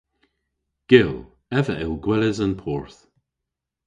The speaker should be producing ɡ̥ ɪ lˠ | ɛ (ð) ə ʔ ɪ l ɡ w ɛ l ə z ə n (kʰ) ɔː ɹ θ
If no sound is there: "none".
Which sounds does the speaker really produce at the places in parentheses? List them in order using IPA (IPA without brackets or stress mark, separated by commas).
v, pʰ